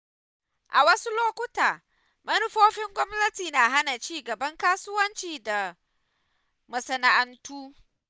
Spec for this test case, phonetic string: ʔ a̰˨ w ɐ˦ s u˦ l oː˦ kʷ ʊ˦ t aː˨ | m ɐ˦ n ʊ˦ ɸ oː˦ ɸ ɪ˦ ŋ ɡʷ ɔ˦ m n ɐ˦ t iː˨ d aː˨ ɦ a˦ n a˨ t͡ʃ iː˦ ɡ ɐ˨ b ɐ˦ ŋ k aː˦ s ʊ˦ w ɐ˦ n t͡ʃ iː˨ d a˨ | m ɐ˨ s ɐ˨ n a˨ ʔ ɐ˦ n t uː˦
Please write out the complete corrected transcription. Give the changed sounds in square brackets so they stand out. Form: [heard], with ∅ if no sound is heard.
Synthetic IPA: ʔ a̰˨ w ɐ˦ s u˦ l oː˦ kʷ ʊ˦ t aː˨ | m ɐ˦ n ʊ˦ ɸ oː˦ ɸ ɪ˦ ŋ ɡʷ ɔ˦ m n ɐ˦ t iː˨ [n] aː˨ ɦ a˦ n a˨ t͡ʃ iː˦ ɡ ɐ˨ b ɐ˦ ŋ k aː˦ s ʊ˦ w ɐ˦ n t͡ʃ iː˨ d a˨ | m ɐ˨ s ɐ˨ n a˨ ʔ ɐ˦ n t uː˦